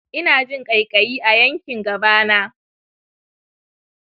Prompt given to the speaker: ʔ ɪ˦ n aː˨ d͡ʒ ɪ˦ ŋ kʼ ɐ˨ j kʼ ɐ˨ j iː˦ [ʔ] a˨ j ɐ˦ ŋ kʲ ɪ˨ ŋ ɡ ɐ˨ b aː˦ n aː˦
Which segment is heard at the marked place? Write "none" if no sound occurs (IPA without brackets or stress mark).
ʔ